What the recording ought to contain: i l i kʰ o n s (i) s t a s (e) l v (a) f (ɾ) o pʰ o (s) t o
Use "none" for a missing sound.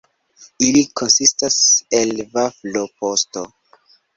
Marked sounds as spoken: i, e, a, l, s

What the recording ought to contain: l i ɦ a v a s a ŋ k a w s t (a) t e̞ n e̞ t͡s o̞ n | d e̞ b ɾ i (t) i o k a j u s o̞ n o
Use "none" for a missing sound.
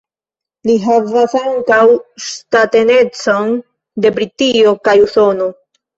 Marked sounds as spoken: a, t

